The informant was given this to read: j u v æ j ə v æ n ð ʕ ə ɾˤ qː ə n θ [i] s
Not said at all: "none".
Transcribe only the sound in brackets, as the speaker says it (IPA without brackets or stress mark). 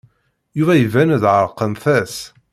æ